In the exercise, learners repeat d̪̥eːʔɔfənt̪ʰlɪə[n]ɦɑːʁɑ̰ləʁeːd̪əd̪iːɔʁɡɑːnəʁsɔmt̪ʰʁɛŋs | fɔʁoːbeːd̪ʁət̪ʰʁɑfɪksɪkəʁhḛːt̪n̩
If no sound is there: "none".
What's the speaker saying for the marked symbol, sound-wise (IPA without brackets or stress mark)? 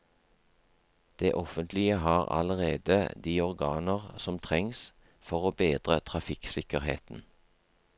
none